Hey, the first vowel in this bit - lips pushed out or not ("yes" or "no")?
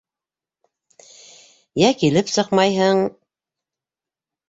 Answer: no